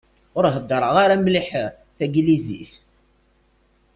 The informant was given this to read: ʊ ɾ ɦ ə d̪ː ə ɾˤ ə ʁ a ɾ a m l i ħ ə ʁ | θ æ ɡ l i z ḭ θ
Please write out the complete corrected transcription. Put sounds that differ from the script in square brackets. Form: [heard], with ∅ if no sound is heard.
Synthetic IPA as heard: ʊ ɾ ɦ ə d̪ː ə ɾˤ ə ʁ a ɾ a m l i ħ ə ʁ | θ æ ɡ l i z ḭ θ